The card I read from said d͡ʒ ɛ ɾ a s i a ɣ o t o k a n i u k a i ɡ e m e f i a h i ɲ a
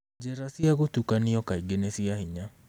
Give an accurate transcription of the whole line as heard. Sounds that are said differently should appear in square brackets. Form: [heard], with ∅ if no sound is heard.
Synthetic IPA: d͡ʒ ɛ ɾ a s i a ɣ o t [u] k a n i [ɔ] k a i ɡ e [n] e [s] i a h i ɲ a